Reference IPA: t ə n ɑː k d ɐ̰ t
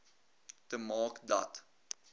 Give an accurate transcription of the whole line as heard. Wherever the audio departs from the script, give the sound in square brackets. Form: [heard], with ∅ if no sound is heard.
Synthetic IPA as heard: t ə [m] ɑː k d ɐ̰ t